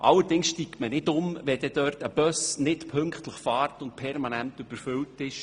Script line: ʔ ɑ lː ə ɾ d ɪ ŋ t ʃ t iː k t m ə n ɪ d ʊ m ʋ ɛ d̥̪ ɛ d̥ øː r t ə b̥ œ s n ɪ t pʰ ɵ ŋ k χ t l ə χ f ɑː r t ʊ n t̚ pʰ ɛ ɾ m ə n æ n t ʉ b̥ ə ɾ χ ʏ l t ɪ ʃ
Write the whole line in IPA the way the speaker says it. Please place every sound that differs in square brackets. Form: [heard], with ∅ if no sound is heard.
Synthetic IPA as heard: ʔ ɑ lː ə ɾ d ɪ ŋ [s] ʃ t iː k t m ə n ɪ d ʊ m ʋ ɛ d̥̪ ɛ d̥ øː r t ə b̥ œ s n ɪ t pʰ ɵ ŋ k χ t l ə χ f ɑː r t ʊ n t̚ pʰ ɛ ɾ m [ɑ] n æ n t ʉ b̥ ə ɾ [f] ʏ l t ɪ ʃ